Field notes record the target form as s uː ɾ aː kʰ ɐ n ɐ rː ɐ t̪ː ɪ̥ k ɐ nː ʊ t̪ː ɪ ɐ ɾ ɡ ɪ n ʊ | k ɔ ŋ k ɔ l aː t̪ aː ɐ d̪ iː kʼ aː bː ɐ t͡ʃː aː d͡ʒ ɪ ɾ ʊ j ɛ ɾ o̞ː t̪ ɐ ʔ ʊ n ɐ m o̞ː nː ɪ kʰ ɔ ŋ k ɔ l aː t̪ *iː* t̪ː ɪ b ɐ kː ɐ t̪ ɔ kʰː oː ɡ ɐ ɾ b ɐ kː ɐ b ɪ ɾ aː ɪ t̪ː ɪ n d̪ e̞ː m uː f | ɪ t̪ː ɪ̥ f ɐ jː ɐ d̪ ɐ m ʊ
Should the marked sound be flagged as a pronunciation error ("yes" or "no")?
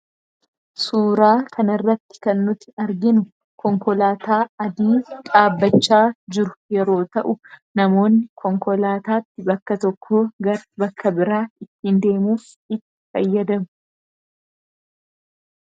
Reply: yes